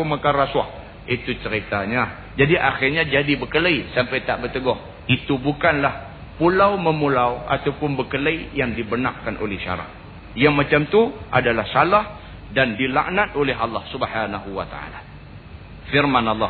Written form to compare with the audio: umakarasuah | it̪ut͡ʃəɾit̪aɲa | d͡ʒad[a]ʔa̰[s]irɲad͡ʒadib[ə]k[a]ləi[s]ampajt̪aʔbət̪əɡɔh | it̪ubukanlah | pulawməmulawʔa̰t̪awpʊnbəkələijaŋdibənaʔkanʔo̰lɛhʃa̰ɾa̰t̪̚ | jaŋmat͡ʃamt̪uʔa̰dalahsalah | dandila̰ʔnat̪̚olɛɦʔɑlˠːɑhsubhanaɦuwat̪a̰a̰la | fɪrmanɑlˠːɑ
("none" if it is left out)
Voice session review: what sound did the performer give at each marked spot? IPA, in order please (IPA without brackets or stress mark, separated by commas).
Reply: i, x, ə, ə, s